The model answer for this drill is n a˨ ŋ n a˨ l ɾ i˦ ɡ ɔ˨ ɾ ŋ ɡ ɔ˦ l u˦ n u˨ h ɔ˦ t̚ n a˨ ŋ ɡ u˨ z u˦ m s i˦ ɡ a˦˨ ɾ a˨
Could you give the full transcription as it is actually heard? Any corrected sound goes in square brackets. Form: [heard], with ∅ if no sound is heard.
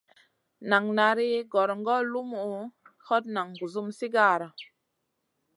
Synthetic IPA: n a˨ ŋ n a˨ [∅] ɾ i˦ ɡ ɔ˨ ɾ ŋ ɡ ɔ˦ l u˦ [m] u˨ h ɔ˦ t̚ n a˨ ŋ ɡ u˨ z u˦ m s i˦ ɡ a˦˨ ɾ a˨